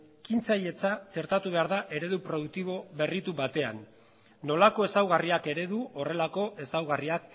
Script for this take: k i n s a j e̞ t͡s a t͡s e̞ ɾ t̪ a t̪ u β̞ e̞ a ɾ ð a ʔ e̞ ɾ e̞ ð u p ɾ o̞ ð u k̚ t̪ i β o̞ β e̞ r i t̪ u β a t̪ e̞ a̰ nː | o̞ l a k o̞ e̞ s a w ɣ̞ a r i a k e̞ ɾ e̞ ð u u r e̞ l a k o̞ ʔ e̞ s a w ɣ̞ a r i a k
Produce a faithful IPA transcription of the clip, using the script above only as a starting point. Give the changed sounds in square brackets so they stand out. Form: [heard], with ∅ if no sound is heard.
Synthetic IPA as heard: k i n [t͡s] a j e̞ t͡s a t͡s e̞ ɾ t̪ a t̪ u β̞ e̞ a ɾ ð a ʔ e̞ ɾ e̞ ð u p ɾ o̞ ð u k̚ t̪ i β o̞ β e̞ r i t̪ u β a t̪ e̞ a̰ nː | o̞ l a k o̞ e̞ s a w ɣ̞ a r i a k e̞ ɾ e̞ ð u [o] r e̞ l a k o̞ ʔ e̞ s a w ɣ̞ a r i a k